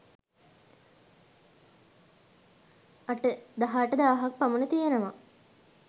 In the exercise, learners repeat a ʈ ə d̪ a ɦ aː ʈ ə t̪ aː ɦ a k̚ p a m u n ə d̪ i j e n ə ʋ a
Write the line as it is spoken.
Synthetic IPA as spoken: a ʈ ə d̪ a ɦ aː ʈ ə d̪ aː ɦ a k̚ p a m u n ə t̪ i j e n ə ʋ a